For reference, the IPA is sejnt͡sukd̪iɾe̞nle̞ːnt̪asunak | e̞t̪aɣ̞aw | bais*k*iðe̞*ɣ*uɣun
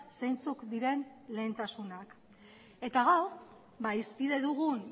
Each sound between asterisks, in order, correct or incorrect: incorrect, incorrect

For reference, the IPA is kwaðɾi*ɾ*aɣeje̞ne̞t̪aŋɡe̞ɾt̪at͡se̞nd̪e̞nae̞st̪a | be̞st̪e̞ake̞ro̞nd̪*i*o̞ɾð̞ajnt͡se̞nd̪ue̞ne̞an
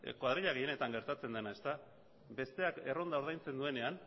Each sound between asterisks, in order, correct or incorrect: incorrect, incorrect

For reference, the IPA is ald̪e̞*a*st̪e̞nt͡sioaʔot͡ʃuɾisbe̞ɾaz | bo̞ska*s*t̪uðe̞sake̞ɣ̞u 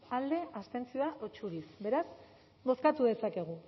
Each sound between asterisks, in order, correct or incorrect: correct, incorrect

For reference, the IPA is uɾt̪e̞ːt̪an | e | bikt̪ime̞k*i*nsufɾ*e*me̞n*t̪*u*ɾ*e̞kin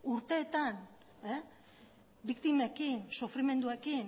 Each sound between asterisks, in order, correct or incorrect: correct, incorrect, incorrect, incorrect

